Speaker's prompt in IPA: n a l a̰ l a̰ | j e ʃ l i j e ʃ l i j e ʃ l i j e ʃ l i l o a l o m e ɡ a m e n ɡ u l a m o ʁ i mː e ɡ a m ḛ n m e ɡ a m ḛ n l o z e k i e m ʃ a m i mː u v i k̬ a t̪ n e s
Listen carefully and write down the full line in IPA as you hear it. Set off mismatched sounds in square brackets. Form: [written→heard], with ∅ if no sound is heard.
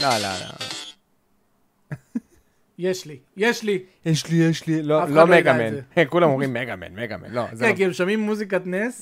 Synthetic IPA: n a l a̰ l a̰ | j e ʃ l i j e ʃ l i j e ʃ l i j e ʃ l i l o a l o m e ɡ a m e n [ɡ→k] u l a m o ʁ i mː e ɡ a m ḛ n m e ɡ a m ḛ n l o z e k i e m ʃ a m i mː u [v→z] i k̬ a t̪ n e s